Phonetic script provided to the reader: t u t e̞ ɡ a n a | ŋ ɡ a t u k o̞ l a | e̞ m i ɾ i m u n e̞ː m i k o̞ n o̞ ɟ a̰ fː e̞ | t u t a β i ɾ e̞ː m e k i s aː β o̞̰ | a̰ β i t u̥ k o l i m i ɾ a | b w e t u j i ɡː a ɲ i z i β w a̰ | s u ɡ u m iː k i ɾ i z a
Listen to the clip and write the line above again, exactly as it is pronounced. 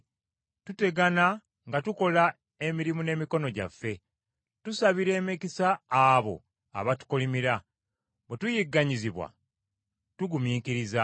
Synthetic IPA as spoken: t u t e̞ ɡ a n a | ŋ ɡ a t u k o̞ l a | e̞ m i ɾ i m u n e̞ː m i k o̞ n o̞ ɟ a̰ fː e̞ | t u s a β i ɾ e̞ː m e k i s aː β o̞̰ | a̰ β a t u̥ k o l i m i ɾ a | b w e t u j i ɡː a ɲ i z i β w a̰ | t u ɡ u m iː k i ɾ i z a